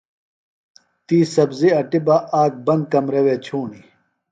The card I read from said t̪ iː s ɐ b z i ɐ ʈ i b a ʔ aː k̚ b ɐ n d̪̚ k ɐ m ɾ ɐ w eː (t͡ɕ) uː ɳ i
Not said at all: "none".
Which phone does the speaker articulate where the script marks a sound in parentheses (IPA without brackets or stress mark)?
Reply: t͡ɕʰ